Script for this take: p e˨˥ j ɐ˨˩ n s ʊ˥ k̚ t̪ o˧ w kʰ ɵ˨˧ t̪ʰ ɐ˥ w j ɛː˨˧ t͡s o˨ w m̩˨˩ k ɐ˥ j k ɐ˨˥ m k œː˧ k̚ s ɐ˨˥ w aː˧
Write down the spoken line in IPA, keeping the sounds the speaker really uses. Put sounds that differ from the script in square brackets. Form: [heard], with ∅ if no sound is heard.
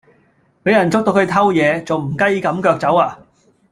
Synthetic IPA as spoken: p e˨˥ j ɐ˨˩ n [t͡s] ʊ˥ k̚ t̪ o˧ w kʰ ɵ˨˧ t̪ʰ ɐ˥ w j ɛː˨˧ t͡s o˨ w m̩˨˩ k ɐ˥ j k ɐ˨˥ m k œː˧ k̚ [t͡s] ɐ˨˥ w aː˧